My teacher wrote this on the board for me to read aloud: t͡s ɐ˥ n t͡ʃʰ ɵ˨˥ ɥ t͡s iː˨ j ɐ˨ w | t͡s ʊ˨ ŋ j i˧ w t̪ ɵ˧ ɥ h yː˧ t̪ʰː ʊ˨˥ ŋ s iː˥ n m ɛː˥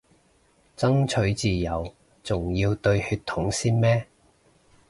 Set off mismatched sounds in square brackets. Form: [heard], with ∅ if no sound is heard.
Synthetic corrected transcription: t͡s ɐ˥ [ŋ] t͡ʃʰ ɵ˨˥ ɥ t͡s iː˨ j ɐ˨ w | t͡s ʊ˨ ŋ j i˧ w t̪ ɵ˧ ɥ h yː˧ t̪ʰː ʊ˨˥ ŋ s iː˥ n m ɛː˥